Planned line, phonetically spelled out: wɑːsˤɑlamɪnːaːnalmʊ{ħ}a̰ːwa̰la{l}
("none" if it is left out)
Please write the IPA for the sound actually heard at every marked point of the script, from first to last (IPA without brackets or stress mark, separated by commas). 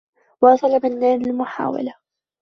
ħ, none